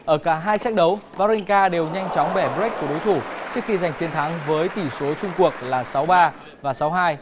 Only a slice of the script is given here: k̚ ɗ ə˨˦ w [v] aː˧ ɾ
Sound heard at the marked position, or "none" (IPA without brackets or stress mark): v